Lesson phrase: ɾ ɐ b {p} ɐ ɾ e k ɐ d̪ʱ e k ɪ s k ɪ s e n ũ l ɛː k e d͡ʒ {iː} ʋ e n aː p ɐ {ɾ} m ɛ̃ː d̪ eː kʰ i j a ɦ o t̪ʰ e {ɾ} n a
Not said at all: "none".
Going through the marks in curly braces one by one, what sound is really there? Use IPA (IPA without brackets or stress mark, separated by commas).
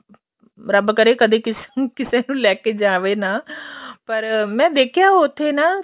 k, aː, ɾ, none